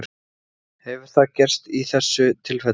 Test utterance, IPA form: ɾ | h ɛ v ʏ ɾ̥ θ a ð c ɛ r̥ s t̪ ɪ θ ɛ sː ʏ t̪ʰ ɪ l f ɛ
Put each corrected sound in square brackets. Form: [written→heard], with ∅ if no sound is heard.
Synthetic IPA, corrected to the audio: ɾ | h ɛ v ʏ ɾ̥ θ a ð c ɛ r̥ s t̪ [ɪ→i] θ ɛ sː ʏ t̪ʰ ɪ l f ɛ